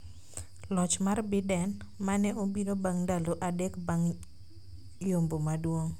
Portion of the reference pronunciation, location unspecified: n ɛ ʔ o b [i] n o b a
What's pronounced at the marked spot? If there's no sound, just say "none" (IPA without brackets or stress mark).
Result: i